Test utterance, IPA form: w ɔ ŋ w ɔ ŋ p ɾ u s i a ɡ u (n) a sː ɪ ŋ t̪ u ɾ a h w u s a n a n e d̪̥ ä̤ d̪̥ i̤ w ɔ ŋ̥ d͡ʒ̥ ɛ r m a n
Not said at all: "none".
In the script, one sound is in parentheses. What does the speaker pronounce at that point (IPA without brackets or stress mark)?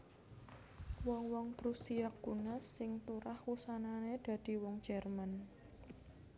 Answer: n